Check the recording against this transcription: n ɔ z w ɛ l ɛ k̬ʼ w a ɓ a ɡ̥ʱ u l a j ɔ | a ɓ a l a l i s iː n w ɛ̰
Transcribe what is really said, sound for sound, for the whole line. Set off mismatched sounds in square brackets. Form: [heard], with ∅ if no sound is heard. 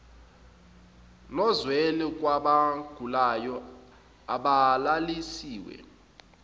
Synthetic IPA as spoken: n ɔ z w ɛ l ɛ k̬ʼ w a ɓ a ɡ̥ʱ u l a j ɔ | a ɓ a l a l i s iː [∅] w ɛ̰